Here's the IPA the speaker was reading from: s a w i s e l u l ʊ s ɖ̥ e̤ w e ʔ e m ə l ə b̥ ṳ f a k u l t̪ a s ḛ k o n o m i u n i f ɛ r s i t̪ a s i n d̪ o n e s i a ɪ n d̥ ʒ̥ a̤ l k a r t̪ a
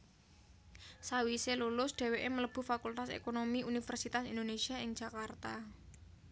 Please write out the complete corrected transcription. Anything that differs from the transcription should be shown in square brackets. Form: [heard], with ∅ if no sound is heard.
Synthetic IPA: s a w i s e l u l ʊ s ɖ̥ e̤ w e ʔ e m ə l ə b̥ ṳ f a k u l t̪ a s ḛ k o n o m i u n i f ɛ r s i t̪ a s i n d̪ o n e s i a ɪ [ŋ] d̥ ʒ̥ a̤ [∅] k a r t̪ a